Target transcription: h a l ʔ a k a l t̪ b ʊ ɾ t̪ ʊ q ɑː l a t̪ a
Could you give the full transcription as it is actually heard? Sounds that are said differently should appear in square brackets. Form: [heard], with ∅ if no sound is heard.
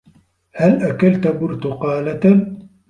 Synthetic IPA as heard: h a l ʔ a k a l t̪ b ʊ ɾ t̪ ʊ q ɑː l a t̪ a